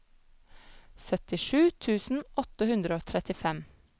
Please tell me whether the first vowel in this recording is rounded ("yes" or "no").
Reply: yes